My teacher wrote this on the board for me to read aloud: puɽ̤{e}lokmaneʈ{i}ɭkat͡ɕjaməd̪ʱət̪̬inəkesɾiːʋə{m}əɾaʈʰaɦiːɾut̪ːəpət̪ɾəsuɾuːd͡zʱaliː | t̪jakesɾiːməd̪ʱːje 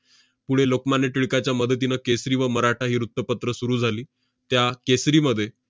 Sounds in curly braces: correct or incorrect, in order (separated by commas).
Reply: correct, correct, correct